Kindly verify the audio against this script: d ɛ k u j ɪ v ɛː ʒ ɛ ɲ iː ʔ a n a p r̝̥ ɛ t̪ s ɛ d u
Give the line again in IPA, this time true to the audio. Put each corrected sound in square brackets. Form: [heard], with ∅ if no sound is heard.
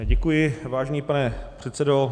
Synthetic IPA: [ɟ] ɛ k u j ɪ v [aː] ʒ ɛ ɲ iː [p] a n [ɛ] p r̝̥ ɛ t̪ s ɛ d [o]